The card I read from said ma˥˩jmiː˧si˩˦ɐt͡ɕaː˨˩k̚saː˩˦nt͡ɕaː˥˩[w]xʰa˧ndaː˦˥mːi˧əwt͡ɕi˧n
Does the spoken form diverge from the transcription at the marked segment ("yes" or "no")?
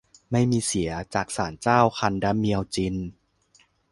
no